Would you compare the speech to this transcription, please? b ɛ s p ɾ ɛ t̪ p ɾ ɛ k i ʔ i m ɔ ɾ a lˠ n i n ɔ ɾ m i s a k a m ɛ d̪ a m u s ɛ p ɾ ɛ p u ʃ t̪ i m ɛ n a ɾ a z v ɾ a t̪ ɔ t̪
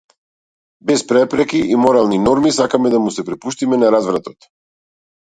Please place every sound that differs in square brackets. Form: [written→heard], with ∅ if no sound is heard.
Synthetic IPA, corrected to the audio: b ɛ s p ɾ ɛ [t̪→∅] p ɾ ɛ k i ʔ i m ɔ ɾ a lˠ n i n ɔ ɾ m i s a k a m ɛ d̪ a m u s ɛ p ɾ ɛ p u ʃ t̪ i m ɛ n a ɾ a z v ɾ a t̪ ɔ t̪